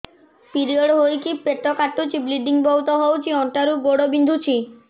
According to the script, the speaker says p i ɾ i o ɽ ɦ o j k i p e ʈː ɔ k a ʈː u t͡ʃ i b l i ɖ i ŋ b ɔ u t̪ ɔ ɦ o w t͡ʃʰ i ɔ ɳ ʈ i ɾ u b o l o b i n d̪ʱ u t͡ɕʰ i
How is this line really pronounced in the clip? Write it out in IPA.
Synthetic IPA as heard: p i ɾ i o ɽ ɦ o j k i p e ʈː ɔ k a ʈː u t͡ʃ i b l i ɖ i ŋ b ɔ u t̪ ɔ ɦ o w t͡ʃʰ i ɔ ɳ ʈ a ɾ u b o ɽ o b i n d̪ʱ u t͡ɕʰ i